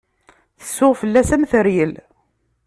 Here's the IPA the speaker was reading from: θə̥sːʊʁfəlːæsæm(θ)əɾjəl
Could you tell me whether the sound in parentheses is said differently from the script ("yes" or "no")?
no